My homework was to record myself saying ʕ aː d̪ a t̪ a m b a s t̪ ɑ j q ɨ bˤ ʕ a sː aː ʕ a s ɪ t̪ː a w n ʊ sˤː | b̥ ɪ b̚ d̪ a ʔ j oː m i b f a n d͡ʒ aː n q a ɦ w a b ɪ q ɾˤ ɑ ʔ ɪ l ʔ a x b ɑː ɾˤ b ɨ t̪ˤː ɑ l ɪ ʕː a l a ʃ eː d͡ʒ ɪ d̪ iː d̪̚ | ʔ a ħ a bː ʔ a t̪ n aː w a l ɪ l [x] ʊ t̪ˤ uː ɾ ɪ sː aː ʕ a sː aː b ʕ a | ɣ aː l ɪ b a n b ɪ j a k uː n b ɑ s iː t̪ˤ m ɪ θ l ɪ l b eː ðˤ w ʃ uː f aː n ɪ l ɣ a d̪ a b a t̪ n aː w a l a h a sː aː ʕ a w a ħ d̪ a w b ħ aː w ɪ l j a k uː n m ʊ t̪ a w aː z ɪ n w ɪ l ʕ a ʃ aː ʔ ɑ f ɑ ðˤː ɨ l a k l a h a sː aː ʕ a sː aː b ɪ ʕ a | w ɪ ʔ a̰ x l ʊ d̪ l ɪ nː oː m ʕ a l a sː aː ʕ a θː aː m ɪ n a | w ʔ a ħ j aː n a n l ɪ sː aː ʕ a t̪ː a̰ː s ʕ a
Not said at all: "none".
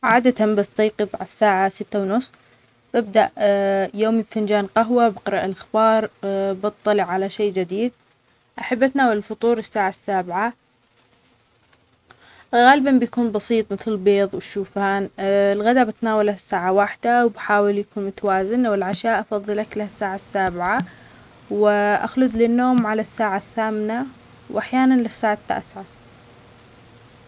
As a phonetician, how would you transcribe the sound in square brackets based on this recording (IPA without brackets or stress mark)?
f